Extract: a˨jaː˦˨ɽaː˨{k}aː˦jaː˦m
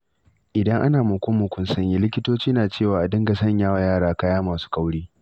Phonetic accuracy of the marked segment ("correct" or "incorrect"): correct